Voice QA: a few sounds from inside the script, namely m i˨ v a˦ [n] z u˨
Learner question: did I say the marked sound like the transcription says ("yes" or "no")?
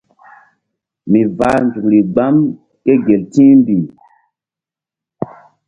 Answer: yes